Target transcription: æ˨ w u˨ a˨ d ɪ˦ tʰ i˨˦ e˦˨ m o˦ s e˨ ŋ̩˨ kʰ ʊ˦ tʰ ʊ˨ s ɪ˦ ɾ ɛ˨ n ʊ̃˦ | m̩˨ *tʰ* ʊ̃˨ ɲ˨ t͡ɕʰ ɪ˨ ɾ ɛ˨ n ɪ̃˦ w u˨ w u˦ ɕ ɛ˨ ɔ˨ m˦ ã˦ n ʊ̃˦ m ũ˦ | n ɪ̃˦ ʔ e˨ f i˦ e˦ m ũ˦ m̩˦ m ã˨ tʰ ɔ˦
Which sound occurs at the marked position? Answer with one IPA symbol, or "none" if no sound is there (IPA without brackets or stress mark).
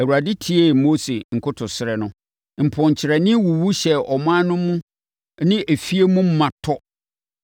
pʰ